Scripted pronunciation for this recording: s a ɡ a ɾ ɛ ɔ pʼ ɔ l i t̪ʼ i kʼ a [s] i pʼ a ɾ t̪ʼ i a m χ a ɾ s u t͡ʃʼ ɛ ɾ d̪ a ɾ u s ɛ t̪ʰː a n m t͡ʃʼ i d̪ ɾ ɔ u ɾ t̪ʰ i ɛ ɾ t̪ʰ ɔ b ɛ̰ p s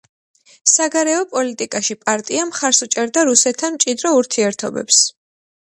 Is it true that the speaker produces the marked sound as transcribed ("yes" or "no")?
no